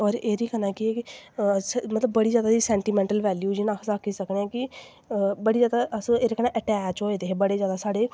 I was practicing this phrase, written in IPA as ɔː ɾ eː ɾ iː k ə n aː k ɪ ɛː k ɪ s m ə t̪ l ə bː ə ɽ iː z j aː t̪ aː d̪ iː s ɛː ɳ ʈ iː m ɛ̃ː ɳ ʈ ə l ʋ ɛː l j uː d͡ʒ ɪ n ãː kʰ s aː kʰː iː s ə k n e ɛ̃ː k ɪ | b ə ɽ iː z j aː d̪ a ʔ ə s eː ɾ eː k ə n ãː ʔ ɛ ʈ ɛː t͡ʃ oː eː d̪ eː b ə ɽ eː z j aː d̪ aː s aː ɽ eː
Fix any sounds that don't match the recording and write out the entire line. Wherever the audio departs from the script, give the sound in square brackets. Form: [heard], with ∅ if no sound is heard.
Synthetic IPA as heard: ɔː ɾ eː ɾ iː k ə n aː k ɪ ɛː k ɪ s m ə t̪ l ə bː ə ɽ iː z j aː [d̪] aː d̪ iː s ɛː ɳ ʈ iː m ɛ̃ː ɳ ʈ ə l ʋ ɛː l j uː d͡ʒ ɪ n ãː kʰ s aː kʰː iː s ə k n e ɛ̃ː k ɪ | b ə ɽ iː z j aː d̪ a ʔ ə s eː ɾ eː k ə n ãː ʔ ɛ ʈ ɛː t͡ʃ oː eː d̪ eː b ə ɽ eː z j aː d̪ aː s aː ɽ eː